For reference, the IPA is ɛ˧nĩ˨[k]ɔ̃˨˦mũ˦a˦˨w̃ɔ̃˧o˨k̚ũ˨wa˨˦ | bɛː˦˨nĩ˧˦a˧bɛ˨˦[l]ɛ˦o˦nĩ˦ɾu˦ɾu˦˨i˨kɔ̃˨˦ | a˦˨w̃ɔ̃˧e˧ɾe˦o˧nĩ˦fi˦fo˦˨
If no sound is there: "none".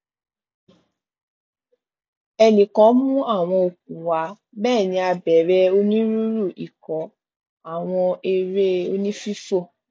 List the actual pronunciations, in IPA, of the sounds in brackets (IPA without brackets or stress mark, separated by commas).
k, ɾ